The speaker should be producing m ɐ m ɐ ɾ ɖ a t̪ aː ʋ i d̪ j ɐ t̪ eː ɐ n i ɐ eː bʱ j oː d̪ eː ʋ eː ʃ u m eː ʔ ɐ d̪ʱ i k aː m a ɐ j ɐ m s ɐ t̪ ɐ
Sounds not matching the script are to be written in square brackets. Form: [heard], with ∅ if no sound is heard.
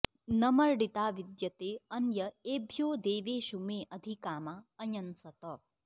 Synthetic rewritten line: [n] ɐ m ɐ ɾ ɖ [i] t̪ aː ʋ i d̪ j ɐ t̪ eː ɐ n [j] ɐ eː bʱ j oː d̪ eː ʋ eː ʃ u m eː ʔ ɐ d̪ʱ i k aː m a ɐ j ɐ [n] s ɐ t̪ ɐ